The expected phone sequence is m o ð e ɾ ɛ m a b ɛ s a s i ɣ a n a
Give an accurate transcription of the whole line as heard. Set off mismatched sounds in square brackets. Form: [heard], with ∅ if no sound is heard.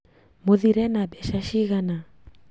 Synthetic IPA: m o ð [i] ɾ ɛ [n] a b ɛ [ʃ] a [ʃ] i ɣ a n a